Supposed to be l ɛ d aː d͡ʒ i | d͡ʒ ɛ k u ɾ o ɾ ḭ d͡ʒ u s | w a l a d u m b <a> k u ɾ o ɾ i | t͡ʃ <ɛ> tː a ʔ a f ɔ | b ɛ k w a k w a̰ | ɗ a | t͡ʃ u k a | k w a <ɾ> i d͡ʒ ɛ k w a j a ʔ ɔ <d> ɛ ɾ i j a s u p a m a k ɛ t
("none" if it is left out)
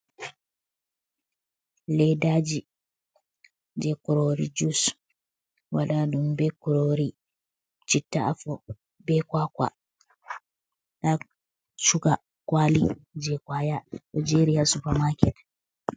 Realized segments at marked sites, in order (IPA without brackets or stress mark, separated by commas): ɛ, i, l, d͡ʒ